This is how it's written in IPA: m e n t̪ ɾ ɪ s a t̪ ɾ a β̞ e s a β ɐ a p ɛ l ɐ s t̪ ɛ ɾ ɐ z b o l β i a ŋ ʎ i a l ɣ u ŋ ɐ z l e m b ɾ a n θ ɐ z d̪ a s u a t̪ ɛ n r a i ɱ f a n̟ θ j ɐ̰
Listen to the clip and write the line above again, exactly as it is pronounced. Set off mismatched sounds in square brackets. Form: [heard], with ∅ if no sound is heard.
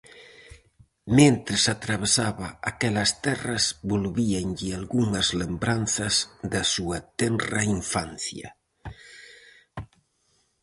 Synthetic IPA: m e n t̪ ɾ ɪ s a t̪ ɾ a β̞ e s a β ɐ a [k] ɛ l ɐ s t̪ ɛ [r] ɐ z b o l β i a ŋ ʎ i a l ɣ u ŋ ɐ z l e m b ɾ a n θ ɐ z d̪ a s u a t̪ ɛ n r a i ɱ f a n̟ θ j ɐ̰